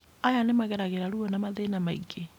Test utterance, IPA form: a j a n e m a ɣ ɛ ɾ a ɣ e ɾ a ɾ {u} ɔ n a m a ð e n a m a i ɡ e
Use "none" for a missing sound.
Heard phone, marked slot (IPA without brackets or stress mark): u